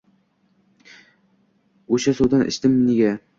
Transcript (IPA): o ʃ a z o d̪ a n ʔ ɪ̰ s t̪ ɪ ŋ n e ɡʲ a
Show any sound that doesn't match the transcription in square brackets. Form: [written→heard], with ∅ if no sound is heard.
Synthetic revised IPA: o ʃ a [z→s] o d̪ a n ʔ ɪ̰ [s→ʃ] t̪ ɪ [ŋ→m] n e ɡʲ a